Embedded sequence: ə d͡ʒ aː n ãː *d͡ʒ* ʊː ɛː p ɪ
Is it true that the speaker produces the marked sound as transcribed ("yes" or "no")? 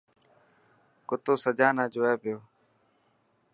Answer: yes